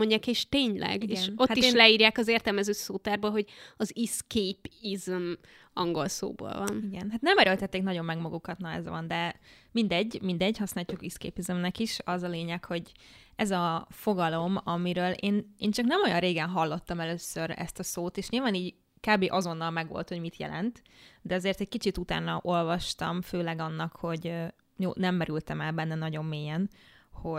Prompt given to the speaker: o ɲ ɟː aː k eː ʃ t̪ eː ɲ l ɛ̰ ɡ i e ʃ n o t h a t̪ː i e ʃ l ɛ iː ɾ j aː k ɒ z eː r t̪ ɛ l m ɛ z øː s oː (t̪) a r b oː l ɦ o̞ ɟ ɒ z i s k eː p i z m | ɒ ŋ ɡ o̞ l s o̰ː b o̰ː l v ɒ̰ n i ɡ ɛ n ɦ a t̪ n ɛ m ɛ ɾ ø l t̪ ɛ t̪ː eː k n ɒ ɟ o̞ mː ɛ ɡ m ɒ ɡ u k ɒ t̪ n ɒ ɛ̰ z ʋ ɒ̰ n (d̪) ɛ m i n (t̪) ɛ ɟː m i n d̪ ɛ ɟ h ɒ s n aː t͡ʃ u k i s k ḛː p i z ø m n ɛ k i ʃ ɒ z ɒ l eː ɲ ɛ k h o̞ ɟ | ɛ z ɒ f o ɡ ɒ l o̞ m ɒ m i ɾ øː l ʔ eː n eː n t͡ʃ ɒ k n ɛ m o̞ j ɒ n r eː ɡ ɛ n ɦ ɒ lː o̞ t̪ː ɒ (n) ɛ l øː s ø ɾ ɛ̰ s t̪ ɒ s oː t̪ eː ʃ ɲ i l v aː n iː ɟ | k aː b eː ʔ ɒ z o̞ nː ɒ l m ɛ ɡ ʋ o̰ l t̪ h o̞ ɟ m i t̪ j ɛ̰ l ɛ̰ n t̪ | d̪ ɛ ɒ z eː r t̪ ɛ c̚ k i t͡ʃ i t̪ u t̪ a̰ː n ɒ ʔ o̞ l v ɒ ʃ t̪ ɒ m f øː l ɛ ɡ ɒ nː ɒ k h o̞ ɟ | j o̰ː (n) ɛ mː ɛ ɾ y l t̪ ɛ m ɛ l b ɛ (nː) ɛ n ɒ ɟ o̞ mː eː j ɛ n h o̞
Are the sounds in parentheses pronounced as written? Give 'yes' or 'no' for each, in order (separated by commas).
yes, yes, no, no, yes, yes